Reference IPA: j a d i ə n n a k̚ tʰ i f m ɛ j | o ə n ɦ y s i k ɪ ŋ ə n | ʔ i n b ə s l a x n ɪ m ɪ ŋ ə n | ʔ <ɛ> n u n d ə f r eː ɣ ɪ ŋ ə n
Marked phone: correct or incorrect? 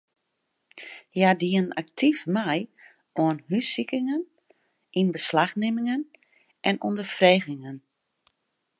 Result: correct